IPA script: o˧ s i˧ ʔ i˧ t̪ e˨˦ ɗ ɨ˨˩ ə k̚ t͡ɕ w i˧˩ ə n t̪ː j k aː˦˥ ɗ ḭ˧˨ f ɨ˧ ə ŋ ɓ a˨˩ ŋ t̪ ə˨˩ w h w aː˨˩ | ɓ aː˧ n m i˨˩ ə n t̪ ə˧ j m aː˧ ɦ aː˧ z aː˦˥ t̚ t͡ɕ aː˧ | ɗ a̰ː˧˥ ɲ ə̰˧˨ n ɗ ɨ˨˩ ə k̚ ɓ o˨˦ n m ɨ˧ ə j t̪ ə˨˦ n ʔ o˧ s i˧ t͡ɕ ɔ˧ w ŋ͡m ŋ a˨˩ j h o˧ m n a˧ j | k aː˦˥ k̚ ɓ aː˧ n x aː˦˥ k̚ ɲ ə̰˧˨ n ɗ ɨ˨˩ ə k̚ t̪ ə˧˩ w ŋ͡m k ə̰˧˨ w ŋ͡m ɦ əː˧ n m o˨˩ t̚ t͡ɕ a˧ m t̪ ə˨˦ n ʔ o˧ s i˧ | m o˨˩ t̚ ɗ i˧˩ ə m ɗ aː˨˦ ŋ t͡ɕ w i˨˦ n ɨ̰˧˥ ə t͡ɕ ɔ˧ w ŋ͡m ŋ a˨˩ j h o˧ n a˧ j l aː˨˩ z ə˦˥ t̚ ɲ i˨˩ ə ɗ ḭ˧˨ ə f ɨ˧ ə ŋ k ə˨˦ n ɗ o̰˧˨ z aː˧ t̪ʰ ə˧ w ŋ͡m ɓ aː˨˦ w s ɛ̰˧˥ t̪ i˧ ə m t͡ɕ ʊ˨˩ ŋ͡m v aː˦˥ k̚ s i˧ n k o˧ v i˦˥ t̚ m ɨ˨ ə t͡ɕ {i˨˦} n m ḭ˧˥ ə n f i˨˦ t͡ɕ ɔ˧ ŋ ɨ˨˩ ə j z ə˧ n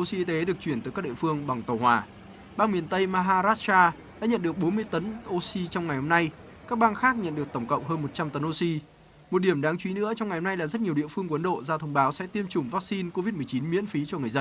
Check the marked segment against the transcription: correct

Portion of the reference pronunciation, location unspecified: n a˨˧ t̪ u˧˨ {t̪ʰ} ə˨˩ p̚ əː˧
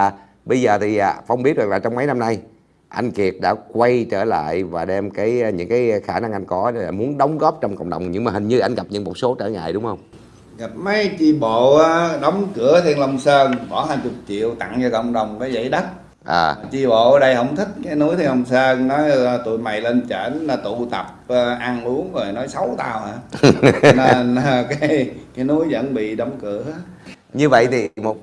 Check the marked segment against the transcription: incorrect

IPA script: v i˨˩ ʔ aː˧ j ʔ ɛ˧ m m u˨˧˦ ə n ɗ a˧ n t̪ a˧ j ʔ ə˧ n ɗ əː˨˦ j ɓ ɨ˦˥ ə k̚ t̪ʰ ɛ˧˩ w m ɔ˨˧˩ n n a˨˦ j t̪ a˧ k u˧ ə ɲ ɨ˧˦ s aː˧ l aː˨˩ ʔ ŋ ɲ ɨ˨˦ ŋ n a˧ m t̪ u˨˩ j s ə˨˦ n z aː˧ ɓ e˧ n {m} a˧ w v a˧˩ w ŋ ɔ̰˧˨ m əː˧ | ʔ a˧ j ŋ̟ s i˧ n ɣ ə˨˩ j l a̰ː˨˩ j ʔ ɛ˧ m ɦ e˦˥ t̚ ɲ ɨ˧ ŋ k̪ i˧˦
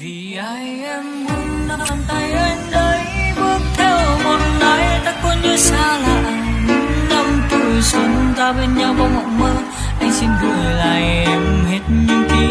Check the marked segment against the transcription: incorrect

